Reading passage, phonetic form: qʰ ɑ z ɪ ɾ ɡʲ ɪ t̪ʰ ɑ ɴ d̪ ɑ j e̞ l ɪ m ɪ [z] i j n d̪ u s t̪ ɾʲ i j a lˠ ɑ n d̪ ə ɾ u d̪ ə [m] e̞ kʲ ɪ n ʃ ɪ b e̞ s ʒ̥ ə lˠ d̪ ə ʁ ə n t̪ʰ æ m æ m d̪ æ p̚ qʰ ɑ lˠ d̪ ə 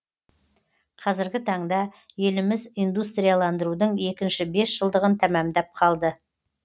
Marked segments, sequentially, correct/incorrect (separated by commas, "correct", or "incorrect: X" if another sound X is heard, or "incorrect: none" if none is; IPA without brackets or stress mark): correct, incorrect: ɴ